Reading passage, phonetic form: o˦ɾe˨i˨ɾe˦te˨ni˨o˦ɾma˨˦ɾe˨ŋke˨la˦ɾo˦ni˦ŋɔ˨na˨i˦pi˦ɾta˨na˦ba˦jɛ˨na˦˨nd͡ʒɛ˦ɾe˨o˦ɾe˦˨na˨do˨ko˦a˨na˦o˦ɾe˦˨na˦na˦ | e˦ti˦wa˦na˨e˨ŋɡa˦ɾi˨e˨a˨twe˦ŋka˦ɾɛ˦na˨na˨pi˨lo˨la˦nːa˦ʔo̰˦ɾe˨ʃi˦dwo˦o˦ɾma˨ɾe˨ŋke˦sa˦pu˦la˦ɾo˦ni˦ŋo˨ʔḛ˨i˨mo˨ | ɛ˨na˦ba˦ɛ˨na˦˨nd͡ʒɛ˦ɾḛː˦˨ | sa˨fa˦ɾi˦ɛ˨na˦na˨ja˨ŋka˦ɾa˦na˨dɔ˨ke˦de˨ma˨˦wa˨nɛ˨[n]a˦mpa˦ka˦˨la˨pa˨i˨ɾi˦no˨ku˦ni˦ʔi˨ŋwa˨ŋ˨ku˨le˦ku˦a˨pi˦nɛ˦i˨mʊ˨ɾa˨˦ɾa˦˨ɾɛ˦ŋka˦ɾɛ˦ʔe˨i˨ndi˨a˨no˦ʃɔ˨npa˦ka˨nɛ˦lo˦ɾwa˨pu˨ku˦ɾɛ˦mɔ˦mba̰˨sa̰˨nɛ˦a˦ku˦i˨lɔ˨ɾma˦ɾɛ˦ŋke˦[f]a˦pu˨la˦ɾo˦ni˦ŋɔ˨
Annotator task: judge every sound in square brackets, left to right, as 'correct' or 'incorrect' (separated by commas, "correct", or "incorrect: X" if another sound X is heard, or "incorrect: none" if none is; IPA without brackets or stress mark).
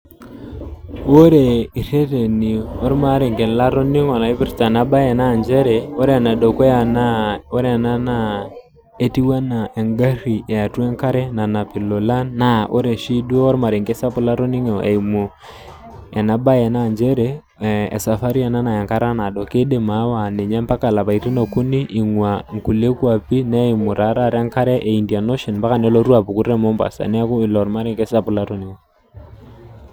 incorrect: ɲ, incorrect: s